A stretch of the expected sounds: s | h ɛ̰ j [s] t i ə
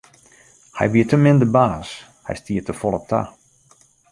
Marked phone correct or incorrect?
correct